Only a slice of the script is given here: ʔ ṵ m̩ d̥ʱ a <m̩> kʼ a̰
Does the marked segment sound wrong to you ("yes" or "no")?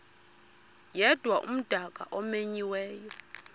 yes